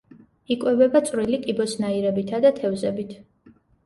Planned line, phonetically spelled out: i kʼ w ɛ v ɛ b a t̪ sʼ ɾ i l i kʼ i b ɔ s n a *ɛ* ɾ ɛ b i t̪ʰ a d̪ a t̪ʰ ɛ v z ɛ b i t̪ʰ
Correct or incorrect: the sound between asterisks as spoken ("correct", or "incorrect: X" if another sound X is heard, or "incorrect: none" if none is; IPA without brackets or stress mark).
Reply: incorrect: i